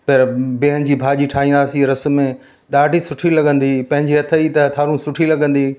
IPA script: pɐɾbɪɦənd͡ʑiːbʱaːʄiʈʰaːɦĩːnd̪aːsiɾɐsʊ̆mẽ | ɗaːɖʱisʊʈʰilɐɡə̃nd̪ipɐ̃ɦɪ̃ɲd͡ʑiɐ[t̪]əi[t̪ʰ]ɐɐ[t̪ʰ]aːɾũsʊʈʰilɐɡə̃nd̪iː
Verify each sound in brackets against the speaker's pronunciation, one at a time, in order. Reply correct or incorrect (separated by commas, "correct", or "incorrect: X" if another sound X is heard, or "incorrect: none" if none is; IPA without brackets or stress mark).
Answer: incorrect: t̪ʰ, incorrect: t̪, correct